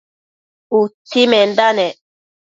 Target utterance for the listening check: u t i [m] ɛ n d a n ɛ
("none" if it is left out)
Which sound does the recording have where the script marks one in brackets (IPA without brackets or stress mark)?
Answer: m